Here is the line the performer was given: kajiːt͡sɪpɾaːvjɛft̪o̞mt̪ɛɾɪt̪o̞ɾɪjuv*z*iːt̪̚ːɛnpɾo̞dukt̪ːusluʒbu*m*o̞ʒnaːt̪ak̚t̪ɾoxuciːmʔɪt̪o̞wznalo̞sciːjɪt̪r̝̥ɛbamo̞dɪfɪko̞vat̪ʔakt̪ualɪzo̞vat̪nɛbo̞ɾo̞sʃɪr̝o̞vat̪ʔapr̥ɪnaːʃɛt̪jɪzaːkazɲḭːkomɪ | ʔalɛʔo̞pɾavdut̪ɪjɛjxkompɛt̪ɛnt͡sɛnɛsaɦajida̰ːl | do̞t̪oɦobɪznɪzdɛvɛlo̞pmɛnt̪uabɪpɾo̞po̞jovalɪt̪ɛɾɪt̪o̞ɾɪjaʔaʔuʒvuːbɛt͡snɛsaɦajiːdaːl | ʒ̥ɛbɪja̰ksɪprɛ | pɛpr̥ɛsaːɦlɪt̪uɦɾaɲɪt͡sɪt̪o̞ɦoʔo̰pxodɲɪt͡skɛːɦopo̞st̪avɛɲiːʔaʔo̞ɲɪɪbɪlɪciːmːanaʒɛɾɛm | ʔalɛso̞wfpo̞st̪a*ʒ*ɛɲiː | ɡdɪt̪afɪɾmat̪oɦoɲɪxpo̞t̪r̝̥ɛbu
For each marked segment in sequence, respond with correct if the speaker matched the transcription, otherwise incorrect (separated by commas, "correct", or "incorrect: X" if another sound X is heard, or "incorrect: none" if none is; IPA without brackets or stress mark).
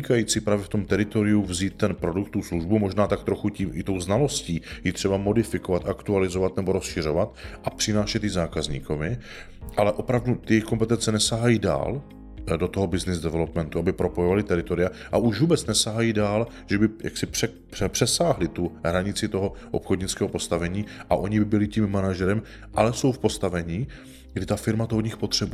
correct, correct, incorrect: v